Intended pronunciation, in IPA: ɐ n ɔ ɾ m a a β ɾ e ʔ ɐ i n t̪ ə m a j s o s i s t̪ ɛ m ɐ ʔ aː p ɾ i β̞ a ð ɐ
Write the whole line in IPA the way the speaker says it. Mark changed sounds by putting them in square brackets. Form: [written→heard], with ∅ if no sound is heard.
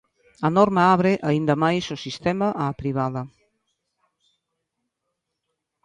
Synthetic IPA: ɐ n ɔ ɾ m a a β ɾ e ʔ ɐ i n [t̪→d̪] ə m a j s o s i s t̪ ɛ m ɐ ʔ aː p ɾ i β̞ a ð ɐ